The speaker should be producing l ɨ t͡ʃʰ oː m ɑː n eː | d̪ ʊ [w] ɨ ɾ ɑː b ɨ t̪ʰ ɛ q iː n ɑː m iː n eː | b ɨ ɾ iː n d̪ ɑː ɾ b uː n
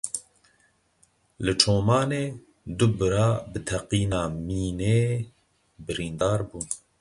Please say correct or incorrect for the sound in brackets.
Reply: incorrect